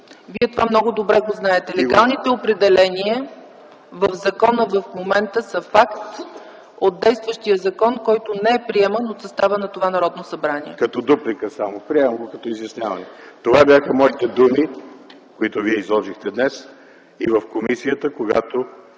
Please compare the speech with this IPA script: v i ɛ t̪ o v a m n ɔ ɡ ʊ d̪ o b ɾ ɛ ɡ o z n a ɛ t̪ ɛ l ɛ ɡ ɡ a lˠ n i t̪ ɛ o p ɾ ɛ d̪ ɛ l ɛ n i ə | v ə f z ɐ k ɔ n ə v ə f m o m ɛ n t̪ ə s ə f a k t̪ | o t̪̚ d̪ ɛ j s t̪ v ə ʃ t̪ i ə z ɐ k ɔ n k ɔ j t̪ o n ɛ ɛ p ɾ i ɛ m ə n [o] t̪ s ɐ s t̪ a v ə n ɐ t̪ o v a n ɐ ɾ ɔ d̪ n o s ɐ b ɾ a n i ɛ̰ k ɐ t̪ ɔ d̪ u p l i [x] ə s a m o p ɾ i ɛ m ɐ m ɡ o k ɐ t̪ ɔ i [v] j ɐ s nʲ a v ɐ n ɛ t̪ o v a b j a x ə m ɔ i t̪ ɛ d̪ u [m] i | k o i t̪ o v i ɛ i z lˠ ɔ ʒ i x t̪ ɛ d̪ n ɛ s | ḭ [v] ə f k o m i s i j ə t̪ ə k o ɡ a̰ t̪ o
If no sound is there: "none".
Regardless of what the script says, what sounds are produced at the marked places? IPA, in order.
o, k, z, m, v

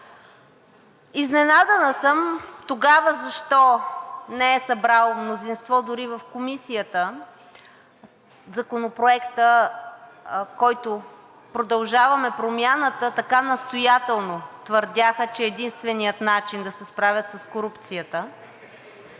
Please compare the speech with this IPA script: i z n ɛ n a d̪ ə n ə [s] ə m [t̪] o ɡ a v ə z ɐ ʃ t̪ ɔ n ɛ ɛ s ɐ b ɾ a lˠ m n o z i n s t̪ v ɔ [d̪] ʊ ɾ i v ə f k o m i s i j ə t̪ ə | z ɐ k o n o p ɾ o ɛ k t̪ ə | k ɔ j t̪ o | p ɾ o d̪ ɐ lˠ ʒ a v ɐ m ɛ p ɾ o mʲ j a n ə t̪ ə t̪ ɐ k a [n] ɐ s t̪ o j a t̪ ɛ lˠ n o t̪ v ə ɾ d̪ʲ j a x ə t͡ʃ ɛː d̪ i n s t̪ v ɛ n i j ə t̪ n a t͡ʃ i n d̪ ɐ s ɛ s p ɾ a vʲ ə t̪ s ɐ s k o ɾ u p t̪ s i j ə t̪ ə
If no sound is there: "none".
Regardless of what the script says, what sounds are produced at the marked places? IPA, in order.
s, t̪, d̪, n

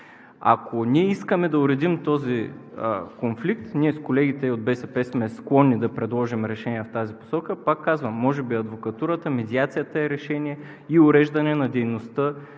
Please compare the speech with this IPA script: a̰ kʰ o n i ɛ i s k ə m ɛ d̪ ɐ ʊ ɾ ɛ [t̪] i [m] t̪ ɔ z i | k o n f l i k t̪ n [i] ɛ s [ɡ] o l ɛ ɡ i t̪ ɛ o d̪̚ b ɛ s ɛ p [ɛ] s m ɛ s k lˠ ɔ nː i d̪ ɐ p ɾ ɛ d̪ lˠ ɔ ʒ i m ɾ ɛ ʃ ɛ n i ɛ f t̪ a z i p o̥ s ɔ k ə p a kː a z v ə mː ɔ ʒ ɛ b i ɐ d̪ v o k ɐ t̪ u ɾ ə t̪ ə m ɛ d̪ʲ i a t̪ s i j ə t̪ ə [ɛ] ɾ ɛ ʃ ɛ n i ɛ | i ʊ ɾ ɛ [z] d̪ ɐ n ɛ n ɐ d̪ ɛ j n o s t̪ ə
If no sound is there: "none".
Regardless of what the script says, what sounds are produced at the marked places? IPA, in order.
d̪, m, i, k, ɛ, ɛ, ʒ

